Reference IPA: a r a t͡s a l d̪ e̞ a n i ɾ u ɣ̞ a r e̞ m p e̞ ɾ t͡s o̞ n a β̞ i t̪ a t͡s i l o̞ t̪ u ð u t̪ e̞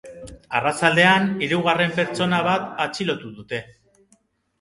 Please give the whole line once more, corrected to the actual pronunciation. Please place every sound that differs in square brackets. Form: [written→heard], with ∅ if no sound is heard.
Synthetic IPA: a r a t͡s a l d̪ e̞ a n i ɾ u ɣ̞ a r e̞ m p e̞ ɾ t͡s o̞ n a β̞ [i→a] t̪ a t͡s i l o̞ t̪ u ð u t̪ e̞